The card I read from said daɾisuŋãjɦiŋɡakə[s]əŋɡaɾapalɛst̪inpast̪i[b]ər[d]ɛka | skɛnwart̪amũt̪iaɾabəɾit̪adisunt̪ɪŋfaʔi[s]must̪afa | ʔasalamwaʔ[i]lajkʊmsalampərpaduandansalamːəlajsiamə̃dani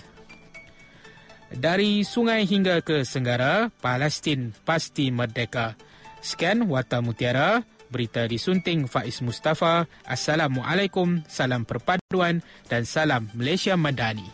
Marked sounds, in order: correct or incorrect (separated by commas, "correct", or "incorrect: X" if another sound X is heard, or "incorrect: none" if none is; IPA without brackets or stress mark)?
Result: correct, incorrect: m, correct, correct, incorrect: a